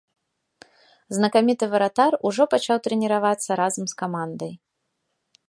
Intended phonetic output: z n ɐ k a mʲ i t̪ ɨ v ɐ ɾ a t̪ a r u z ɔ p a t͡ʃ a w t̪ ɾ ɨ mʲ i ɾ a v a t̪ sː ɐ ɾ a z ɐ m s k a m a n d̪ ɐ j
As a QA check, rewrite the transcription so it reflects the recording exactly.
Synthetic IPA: z n ɐ k a mʲ i t̪ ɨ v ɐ ɾ a t̪ a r u ʐ ɔ p a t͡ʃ a w t̪ ɾ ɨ nʲ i ɾ a v a t̪ sː ɐ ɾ a z ɐ m s k a m a n d̪ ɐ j